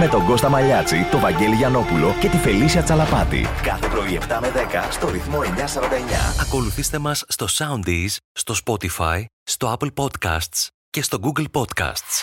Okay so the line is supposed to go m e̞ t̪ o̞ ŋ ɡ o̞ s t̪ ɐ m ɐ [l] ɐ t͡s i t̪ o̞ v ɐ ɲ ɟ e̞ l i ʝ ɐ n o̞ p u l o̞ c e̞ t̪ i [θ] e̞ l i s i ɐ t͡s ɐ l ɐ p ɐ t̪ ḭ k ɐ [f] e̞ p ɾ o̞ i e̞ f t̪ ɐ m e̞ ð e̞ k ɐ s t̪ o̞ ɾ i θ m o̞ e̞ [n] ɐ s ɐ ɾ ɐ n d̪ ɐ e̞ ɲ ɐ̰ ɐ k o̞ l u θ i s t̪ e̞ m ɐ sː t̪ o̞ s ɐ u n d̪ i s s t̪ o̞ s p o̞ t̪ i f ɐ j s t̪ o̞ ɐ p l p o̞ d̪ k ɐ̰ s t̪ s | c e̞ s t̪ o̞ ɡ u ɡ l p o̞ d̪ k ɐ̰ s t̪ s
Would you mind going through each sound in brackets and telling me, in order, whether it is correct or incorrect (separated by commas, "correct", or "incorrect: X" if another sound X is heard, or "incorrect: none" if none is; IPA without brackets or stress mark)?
incorrect: ʎ, incorrect: f, incorrect: θ, incorrect: ɲ